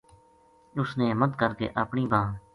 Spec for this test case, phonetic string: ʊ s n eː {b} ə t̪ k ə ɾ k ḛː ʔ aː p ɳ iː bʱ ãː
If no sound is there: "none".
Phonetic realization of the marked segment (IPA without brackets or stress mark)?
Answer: m